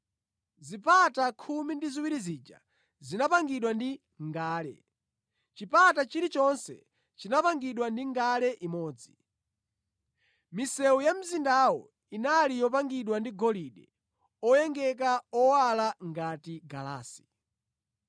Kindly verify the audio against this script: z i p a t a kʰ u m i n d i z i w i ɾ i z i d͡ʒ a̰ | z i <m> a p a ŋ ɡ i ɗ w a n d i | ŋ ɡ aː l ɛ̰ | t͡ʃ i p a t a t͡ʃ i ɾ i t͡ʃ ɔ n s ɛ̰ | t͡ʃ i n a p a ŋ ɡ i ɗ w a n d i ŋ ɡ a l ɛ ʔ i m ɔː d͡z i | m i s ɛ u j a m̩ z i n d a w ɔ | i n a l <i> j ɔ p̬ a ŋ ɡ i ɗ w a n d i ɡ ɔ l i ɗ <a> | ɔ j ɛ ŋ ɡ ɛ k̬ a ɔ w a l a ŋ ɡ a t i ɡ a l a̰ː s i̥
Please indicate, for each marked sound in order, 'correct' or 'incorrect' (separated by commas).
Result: incorrect, correct, incorrect